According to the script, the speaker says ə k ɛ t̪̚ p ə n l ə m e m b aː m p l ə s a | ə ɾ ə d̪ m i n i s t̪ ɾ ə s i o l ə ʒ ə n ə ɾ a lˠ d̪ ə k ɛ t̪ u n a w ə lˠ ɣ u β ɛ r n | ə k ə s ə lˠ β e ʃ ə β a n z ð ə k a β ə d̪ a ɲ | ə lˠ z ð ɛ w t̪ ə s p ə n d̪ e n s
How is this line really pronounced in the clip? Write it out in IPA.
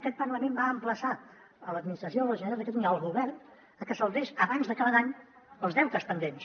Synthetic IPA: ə k ɛ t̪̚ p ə n l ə m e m b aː m p l ə s a | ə l ə d̪ m i n i s t̪ ɾ ə s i o l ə ʒ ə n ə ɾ a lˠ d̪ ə k ɛ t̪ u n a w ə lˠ ɣ u β ɛ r n | ə k ə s ə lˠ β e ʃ ə β a n z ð ə k a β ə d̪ a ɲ | ə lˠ z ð ɛ w t̪ ə s p ə n d̪ e n s